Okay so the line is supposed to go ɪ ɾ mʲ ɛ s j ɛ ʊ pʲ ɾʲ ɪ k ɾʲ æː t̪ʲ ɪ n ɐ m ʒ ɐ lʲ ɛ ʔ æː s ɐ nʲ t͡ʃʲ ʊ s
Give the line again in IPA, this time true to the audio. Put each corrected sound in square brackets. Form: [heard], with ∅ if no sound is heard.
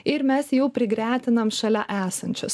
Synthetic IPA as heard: ɪ ɾ mʲ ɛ s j ɛ ʊ pʲ ɾʲ ɪ [ɡ] ɾʲ æː t̪ʲ ɪ n ɐ m [ʃ] ɐ lʲ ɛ ʔ æː s ɐ nʲ t͡ʃʲ ʊ s